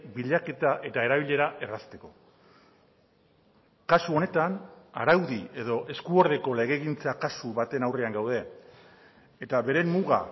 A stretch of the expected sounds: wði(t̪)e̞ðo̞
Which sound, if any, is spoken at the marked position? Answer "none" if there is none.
none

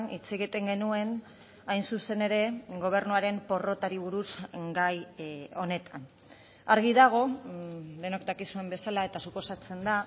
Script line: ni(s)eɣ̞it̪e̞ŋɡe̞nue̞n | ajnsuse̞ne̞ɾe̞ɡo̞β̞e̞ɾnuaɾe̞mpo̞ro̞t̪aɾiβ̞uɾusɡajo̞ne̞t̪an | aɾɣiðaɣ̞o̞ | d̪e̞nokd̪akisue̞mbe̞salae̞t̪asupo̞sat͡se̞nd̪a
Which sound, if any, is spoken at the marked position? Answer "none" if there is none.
t͡s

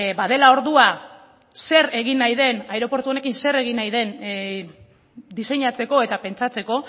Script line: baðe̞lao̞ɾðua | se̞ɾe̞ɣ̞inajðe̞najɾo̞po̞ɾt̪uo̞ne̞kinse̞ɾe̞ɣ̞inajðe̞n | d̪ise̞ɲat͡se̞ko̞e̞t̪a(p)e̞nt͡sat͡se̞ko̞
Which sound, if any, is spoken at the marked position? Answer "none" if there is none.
p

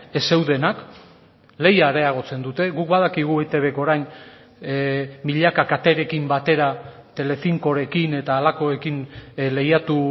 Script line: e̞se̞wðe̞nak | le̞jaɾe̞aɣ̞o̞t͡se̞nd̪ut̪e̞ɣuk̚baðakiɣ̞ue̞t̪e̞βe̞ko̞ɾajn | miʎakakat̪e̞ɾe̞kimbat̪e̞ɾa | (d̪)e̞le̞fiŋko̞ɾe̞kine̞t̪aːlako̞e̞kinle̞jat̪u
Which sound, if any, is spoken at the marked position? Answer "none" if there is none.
t̪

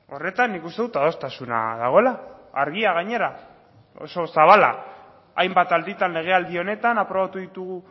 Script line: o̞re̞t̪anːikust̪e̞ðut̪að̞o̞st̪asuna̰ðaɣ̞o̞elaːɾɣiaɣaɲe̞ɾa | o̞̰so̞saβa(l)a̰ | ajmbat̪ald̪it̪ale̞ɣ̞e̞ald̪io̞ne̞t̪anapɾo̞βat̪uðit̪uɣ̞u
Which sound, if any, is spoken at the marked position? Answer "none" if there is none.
l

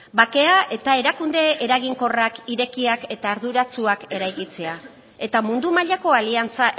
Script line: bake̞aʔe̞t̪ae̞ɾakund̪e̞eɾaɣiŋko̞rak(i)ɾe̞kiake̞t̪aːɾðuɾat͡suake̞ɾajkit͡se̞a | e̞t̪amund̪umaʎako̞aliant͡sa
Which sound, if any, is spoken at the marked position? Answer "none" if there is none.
i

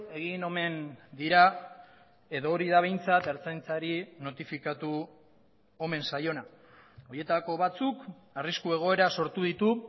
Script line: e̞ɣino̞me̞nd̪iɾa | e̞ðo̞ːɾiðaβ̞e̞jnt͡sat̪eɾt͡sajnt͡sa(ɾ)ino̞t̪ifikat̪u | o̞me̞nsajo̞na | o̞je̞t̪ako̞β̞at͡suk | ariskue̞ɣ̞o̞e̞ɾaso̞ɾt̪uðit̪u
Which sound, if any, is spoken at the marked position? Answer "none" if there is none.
ɾ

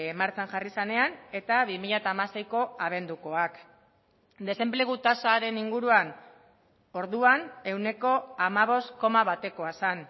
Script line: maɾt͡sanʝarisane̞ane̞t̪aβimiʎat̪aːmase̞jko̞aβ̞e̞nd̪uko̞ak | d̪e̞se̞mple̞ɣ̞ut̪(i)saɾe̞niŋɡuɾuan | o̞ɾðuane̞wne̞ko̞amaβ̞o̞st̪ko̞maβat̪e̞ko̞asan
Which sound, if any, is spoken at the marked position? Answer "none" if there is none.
a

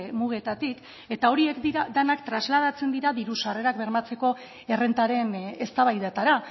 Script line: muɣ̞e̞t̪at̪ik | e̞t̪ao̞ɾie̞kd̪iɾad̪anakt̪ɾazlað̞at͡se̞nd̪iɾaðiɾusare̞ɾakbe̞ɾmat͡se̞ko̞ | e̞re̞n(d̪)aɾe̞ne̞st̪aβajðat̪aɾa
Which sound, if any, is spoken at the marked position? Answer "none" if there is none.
t̪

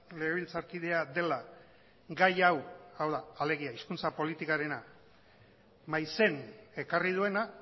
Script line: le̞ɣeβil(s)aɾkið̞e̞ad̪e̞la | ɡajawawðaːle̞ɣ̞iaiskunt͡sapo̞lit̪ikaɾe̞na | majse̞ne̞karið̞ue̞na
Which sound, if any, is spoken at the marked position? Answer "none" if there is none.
t͡s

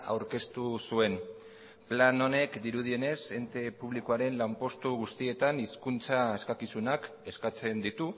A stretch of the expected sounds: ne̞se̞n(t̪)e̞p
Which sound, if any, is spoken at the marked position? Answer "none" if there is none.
t̪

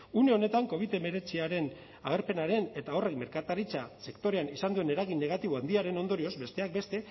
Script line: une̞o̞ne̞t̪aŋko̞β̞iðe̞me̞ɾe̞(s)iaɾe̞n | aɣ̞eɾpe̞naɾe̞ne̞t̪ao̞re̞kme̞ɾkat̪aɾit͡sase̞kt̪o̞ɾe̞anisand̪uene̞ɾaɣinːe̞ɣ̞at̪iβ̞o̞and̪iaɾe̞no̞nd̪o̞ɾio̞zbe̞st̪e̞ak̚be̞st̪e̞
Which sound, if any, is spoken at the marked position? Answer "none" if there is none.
t͡s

